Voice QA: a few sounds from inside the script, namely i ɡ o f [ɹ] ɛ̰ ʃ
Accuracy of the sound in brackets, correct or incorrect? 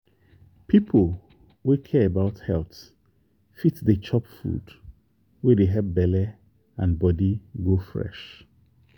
correct